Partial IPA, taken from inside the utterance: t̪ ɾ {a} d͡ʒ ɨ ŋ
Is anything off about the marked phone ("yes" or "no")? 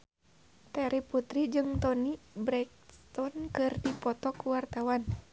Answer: yes